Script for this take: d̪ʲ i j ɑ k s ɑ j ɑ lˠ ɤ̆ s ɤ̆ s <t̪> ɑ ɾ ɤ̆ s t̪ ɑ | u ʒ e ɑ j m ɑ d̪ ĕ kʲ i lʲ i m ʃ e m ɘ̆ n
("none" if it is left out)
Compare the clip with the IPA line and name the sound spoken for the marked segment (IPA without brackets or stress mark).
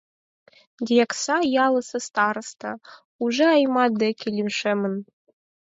t̪